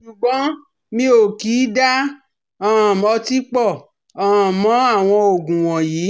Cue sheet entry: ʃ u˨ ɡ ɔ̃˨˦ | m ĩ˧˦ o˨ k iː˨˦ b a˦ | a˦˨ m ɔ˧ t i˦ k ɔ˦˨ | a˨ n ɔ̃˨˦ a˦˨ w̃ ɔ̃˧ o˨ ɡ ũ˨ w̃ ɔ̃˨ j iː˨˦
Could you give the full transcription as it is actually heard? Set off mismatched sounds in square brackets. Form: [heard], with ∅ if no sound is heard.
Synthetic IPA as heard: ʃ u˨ [ɡ͡b] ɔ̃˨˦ | m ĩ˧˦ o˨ k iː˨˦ [d] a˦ | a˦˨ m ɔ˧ t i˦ [k͡p] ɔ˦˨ | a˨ [m] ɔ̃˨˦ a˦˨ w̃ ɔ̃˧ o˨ ɡ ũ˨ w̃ ɔ̃˨ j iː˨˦